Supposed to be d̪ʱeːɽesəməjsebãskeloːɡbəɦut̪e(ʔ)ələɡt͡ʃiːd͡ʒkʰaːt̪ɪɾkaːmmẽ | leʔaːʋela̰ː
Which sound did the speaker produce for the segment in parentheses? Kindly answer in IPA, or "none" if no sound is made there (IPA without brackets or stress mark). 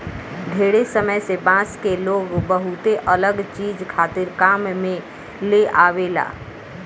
ʔ